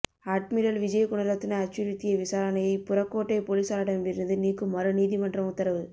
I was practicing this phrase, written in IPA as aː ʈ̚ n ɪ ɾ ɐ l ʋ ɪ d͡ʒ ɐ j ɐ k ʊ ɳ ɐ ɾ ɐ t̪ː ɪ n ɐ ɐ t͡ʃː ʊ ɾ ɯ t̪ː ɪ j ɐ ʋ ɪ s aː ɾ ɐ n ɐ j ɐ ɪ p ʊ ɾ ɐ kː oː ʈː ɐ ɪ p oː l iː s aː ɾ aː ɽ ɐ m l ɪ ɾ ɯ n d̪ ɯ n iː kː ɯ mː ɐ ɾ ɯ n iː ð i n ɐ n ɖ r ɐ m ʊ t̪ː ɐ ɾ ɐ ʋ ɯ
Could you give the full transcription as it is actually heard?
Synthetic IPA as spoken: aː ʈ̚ m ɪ ɾ ɐ l ʋ ɪ d͡ʒ ɐ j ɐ k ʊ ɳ ɐ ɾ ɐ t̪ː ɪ n ɐ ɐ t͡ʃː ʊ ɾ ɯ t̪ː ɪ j ɐ ʋ ɪ s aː ɾ ɐ n ɐ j ɐ ɪ p ʊ ɾ ɐ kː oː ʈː ɐ ɪ p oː l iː s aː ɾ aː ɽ ɐ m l ɪ ɾ ɯ n d̪ ɯ n iː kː ɯ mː ɐ ɾ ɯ n iː ð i m ɐ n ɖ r ɐ m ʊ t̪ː ɐ ɾ ɐ ʋ ɯ